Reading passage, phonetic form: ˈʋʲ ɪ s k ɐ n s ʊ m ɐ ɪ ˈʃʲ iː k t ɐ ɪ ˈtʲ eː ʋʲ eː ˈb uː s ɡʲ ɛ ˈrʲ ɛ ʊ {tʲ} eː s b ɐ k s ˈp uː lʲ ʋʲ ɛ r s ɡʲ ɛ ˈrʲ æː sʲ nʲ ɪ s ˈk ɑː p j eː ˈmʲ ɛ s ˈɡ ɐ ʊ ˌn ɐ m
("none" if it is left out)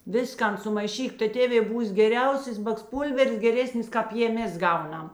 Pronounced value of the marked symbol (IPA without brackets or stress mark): sʲ